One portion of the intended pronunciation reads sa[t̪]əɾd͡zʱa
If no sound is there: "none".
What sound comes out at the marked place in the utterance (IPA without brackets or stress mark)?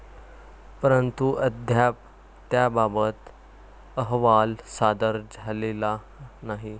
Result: d̪